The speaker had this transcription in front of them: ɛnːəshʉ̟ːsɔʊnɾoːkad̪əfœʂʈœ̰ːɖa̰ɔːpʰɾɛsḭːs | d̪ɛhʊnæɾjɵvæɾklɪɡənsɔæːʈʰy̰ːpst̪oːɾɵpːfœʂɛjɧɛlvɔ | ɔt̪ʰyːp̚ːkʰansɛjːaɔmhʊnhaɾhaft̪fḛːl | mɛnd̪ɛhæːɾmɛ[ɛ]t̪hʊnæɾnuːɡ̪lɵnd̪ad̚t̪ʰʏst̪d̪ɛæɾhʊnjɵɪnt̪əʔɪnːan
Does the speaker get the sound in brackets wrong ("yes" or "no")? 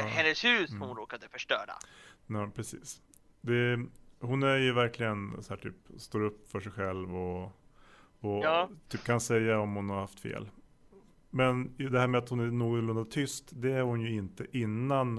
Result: yes